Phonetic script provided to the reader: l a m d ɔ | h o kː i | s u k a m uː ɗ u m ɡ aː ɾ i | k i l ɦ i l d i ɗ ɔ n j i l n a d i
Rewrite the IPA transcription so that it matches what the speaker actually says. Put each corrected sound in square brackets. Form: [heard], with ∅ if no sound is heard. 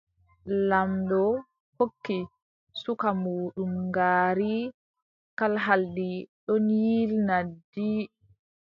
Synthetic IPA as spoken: l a m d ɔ | h o kː i | s u k a m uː ɗ u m ɡ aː ɾ i | k [a] l ɦ [a] l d i ɗ ɔ n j i l n a d i